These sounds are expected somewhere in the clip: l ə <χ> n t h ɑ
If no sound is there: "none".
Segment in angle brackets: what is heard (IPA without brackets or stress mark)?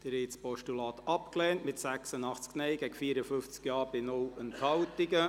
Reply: none